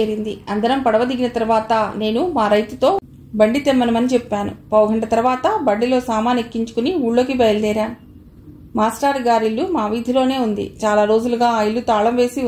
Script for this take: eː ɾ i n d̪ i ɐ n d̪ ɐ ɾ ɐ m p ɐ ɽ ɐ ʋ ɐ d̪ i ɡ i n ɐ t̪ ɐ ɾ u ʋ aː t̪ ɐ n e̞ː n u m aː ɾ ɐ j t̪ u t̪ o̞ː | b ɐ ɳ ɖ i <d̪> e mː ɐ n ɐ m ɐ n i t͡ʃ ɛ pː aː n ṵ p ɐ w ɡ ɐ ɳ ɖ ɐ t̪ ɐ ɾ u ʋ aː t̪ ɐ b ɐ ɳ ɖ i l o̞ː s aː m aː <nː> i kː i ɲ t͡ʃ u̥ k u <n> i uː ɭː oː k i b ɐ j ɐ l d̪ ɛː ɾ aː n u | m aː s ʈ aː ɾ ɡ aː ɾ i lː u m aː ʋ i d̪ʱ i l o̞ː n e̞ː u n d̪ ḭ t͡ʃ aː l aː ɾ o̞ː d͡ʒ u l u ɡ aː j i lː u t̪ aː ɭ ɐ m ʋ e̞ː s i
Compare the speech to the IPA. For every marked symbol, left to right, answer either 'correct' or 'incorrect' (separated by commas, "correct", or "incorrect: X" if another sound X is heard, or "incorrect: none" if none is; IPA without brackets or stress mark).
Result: incorrect: t̪, incorrect: n, correct